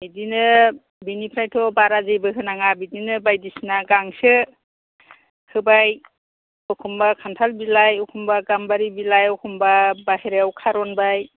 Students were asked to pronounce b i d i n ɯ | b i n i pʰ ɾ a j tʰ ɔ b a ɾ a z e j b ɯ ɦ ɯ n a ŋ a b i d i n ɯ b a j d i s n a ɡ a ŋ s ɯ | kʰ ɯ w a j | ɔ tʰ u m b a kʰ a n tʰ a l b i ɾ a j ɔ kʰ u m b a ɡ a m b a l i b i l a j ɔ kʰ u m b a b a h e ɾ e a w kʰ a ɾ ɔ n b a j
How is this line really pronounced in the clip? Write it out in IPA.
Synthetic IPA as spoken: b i d i n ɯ | b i n i pʰ ɾ a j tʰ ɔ b a ɾ a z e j b ɯ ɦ ɯ n a ŋ a b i d i n ɯ b a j d i s n a ɡ a ŋ s ɯ | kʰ ɯ b a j | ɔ kʰ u m b a kʰ a n tʰ a l b i l a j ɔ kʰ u m b a ɡ a m b a ɾ i b i l a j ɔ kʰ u m b a b a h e ɾ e a w kʰ a ɾ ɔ n b a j